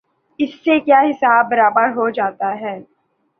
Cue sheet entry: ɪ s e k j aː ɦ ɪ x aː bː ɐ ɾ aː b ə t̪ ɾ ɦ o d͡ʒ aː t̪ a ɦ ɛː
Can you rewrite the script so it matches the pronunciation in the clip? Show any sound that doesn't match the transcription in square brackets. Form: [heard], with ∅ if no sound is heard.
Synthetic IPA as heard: ɪ [sː] e k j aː ɦ ɪ [s] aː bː ɐ ɾ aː b ə [∅] ɾ ɦ o d͡ʒ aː t̪ a ɦ ɛː